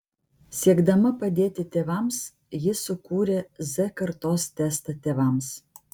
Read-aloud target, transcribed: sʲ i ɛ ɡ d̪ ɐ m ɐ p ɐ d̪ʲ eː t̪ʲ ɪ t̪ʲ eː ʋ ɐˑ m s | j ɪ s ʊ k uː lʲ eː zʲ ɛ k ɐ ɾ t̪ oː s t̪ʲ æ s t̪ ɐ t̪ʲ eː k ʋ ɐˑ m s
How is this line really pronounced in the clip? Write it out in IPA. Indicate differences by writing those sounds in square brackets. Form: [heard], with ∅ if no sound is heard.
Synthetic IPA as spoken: sʲ i ɛ ɡ d̪ ɐ m ɐ p ɐ d̪ʲ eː t̪ʲ ɪ t̪ʲ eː ʋ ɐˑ m s | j ɪ s ʊ k uː [ɾʲ] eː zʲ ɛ k ɐ ɾ t̪ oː s t̪ʲ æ s t̪ ɐ t̪ʲ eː [∅] ʋ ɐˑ m s